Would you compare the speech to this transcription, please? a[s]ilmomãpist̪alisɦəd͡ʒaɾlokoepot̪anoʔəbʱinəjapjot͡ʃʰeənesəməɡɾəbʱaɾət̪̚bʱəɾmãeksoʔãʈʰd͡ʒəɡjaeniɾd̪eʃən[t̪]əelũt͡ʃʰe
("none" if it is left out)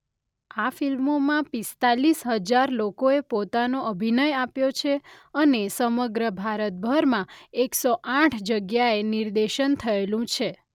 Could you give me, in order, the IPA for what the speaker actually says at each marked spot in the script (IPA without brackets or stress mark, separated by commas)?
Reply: f, t̪ʰ